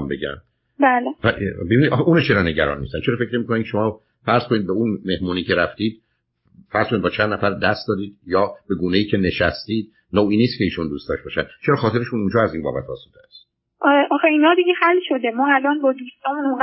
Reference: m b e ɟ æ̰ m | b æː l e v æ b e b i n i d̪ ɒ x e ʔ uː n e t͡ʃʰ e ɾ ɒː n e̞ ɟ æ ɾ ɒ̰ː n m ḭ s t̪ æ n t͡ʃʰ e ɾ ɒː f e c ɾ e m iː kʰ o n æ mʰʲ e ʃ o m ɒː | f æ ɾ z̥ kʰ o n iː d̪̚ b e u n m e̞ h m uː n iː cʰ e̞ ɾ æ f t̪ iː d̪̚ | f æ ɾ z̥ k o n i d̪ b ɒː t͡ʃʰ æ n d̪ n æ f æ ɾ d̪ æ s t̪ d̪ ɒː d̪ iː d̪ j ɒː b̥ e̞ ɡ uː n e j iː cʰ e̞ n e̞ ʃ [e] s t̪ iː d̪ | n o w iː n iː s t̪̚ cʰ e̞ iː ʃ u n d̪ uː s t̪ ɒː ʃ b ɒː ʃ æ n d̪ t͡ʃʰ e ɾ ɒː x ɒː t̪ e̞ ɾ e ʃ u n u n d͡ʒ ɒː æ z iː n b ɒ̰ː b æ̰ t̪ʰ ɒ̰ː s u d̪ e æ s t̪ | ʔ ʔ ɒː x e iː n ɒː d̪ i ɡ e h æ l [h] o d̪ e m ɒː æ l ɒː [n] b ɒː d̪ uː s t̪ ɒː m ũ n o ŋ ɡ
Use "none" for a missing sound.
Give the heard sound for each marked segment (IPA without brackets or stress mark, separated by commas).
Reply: æ, ʃ, n